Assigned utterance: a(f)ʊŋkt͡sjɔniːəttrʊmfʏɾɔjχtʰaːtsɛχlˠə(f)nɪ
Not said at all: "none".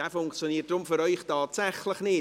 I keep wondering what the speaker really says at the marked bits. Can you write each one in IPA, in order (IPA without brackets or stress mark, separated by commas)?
f, χ